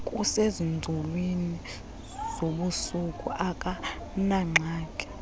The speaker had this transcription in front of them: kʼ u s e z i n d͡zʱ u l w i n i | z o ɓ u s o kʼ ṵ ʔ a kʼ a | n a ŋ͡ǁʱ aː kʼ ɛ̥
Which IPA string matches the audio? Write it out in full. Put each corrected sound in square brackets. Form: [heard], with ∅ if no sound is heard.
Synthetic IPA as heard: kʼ u s e z i n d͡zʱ u l w i n i | z o ɓ u s [u] kʼ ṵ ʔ a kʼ a | n a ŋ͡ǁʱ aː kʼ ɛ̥